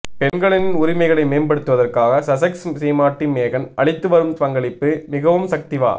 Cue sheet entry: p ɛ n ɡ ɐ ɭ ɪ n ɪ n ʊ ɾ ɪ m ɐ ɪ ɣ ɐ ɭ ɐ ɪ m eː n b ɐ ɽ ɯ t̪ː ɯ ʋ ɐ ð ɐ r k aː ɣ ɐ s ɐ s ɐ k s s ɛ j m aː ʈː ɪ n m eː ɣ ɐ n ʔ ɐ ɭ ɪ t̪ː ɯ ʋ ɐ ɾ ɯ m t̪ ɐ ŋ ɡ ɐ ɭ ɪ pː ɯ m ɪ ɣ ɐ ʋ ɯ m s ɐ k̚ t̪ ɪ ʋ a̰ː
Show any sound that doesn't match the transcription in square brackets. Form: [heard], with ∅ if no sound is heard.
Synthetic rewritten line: p ɛ n ɡ ɐ ɭ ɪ n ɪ n ʊ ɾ ɪ m ɐ ɪ ɣ ɐ ɭ ɐ ɪ m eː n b ɐ ɽ ɯ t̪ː ɯ ʋ ɐ ð ɐ r k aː ɣ ɐ s ɐ s ɐ k s s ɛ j m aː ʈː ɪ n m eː ɣ ɐ n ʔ ɐ ɭ ɪ t̪ː ɯ ʋ ɐ ɾ ɯ m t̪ ɐ ŋ ɡ ɐ ɭ ɪ pː ɯ m ɪ ɣ ɐ ʋ ɯ m s ɐ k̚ t̪ ɪ ʋ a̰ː